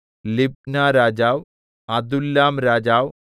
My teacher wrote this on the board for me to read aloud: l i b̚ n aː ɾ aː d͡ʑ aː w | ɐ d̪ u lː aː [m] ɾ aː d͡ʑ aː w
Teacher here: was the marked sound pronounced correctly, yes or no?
yes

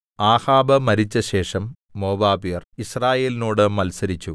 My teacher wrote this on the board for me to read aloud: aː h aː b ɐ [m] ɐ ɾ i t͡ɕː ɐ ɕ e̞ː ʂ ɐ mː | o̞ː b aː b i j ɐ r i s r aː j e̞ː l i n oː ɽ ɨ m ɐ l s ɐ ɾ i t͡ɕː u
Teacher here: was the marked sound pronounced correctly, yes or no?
yes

